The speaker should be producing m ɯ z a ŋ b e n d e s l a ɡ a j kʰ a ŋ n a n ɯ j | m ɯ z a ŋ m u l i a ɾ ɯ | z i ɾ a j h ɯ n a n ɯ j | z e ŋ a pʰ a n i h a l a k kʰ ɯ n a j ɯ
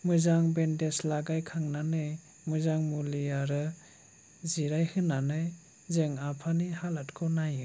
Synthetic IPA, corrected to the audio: m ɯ z a ŋ b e n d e s l a ɡ a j kʰ a ŋ n a n ɯ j | m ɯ z a ŋ m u l i a ɾ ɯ | z i ɾ a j h ɯ n a n ɯ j | z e ŋ a pʰ a n i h a l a t kʰ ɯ n a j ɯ